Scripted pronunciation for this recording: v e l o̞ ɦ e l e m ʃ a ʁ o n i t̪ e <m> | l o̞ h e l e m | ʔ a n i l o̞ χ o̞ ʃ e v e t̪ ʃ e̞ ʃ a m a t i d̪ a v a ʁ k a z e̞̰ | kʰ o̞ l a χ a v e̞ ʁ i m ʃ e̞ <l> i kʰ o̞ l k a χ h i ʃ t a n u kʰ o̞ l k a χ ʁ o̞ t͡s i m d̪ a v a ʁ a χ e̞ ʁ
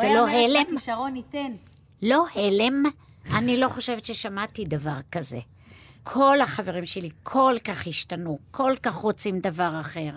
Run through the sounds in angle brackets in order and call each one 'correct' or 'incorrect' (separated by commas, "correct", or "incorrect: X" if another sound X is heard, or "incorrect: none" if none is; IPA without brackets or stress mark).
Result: incorrect: n, correct